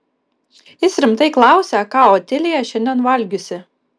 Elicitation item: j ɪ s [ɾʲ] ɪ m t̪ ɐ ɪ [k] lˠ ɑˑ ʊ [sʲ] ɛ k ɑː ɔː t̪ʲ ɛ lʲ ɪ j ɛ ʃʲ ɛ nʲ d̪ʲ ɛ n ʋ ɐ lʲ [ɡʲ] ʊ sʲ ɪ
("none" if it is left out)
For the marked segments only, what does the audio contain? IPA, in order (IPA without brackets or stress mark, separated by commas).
ɾʲ, k, sʲ, ɡʲ